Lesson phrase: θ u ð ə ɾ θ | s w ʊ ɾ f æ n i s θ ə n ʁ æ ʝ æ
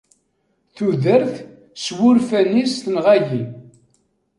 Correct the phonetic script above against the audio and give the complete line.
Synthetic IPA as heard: θ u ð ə ɾ θ | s w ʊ ɾ f æ n i s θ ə n ʁ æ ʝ i